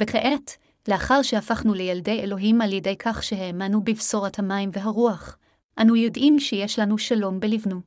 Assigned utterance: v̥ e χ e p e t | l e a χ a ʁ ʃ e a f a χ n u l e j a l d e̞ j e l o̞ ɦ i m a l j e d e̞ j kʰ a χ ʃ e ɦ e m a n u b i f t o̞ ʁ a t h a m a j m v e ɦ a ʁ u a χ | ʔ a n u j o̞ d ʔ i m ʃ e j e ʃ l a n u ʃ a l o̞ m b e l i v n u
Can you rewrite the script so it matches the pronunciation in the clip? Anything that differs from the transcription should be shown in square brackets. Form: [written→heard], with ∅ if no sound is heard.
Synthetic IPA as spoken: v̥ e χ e [p→ʔ] e t | l e a χ a ʁ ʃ e a f a χ n u l e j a l d e̞ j e l o̞ ɦ i m a l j e d e̞ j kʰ a χ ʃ e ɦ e m a n u b i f [t→s] o̞ ʁ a t h a m a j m v e ɦ a ʁ u a χ | ʔ a n u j o̞ d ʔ i m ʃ e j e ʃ l a n u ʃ a l o̞ m b e l i v n u